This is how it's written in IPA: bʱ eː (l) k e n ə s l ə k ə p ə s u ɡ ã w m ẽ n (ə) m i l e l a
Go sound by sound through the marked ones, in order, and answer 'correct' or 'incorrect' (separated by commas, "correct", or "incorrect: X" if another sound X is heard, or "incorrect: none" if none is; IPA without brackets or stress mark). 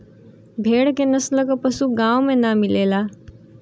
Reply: incorrect: ɽ, incorrect: a